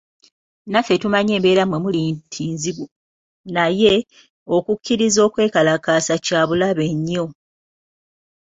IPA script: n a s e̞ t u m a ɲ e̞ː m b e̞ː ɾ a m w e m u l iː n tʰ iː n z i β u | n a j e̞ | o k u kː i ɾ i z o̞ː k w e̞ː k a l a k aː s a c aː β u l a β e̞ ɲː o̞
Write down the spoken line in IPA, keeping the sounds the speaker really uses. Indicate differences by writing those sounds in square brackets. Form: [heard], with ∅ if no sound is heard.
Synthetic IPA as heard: n a [f] e̞ t u m a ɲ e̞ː m b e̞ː ɾ a m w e m u l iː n tʰ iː n z i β u | n a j e̞ | o k u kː i ɾ i z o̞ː k w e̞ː k a l a k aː s a c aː β u l a β e̞ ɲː o̞